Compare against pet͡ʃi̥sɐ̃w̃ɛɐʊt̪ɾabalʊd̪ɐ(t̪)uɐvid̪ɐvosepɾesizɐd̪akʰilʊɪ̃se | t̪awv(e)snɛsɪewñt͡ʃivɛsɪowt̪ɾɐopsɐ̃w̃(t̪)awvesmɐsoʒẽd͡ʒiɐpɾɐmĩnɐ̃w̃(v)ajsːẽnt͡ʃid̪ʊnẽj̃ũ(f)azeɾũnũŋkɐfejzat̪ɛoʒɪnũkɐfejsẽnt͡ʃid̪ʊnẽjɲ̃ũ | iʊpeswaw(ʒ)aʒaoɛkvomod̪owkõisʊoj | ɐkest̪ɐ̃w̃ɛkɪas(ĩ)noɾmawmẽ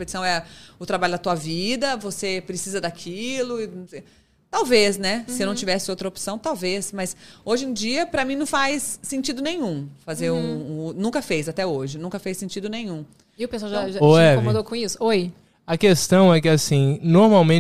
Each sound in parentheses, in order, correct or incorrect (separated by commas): correct, correct, correct, incorrect, correct, correct, correct